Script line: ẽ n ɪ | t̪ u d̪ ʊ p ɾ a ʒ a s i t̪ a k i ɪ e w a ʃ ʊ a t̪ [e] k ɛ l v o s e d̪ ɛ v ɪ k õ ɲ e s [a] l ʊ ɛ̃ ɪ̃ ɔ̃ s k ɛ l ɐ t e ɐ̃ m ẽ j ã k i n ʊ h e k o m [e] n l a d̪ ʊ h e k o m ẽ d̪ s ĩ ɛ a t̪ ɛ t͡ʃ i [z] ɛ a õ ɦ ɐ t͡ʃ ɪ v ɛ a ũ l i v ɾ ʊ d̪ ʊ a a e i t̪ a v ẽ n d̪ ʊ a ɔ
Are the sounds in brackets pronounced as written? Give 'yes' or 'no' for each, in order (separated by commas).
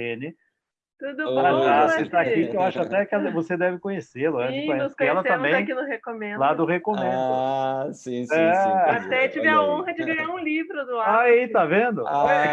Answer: no, no, no, no